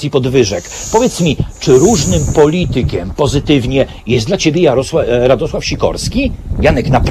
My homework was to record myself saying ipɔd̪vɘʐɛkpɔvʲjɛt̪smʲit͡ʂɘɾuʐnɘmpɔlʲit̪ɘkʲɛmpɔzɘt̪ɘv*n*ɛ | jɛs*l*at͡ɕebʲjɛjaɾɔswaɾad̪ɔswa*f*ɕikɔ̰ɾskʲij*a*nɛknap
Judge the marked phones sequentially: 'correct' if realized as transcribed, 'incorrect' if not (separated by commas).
incorrect, correct, correct, correct